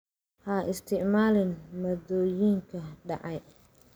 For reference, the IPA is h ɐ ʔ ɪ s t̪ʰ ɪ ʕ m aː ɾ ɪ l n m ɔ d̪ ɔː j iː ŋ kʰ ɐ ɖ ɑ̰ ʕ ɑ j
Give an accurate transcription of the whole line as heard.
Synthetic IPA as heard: h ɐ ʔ ɪ s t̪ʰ ɪ ʕ m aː l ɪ n m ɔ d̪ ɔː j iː ŋ kʰ ɐ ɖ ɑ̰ ʕ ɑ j